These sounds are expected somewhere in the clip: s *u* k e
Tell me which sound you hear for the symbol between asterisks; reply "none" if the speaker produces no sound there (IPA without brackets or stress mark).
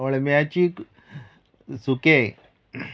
u